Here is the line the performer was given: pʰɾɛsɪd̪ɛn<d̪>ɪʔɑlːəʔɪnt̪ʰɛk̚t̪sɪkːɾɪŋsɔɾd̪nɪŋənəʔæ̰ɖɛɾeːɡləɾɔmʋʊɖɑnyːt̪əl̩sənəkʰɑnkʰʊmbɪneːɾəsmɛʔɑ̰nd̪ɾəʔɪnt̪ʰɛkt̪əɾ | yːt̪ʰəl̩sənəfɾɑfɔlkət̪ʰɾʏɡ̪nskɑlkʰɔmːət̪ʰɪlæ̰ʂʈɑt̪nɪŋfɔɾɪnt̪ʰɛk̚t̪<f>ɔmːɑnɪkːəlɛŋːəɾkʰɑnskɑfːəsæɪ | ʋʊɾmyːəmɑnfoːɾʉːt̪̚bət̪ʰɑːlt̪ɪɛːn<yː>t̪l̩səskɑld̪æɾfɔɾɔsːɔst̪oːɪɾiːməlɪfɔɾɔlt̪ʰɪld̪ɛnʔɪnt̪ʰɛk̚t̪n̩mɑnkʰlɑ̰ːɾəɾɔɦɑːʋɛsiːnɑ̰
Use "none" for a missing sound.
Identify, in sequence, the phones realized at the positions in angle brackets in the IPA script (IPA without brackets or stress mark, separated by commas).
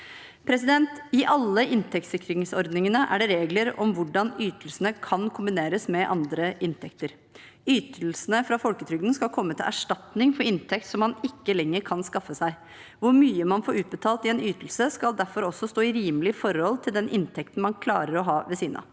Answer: t̪, s, yː